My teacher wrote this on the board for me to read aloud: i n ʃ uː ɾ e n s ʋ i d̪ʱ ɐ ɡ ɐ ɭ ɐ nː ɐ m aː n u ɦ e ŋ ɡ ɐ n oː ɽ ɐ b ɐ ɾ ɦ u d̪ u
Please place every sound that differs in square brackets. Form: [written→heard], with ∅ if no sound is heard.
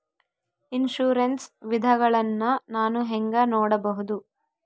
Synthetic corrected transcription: i n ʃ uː ɾ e n s ʋ i d̪ʱ ɐ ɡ ɐ ɭ ɐ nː ɐ [m→n] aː n u ɦ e ŋ ɡ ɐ n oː ɽ ɐ b ɐ [ɾ→∅] ɦ u d̪ u